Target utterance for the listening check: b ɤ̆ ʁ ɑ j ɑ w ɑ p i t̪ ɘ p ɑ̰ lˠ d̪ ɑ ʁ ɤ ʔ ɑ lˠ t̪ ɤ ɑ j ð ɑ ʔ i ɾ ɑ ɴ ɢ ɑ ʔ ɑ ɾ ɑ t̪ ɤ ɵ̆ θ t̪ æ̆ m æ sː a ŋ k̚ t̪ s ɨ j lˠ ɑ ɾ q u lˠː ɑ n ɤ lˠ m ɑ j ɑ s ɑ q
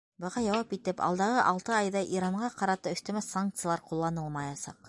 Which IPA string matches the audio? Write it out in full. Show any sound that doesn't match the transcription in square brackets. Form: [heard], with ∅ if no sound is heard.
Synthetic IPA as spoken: b ɤ̆ ʁ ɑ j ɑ w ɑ p i t̪ ɘ p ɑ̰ lˠ d̪ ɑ ʁ ɤ ʔ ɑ lˠ t̪ ɤ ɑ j ð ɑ ʔ i ɾ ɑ ɴ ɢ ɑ [q] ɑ ɾ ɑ t̪ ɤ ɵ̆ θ t̪ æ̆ m æ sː a ŋ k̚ t̪ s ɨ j lˠ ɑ ɾ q u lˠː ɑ n ɤ lˠ m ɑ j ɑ s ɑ q